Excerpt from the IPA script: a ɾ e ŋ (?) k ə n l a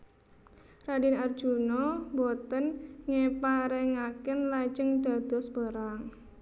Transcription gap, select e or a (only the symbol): a